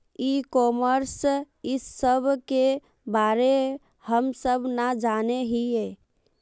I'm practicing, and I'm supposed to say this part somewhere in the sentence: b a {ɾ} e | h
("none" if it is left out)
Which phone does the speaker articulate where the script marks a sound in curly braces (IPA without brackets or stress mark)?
ɾ